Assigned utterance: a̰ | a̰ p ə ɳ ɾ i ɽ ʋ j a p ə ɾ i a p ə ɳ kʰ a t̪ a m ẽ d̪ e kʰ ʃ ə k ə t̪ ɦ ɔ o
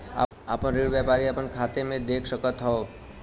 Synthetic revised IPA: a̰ | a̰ p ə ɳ ɾ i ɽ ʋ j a p a ɾ i a p ə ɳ kʰ a t̪ e m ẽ d̪ e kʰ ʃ ə k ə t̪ ɦ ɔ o